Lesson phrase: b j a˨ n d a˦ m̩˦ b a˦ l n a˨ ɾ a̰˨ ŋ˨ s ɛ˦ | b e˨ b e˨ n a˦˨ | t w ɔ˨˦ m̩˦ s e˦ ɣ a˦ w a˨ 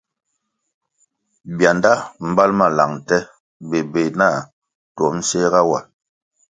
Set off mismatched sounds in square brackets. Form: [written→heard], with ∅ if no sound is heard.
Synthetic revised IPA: b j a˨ n d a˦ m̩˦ b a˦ l [n→m] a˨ [ɾ→l] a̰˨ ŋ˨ [s→t] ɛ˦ | b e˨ b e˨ n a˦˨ | t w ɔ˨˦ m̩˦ s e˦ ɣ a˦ w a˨